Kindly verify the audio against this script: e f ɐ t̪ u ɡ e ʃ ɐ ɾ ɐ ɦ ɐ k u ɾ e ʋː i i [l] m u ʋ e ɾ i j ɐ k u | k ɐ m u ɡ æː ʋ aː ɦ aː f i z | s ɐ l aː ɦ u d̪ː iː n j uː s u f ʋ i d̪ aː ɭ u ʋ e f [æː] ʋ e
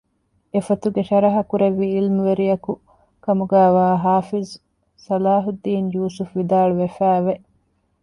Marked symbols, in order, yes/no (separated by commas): yes, yes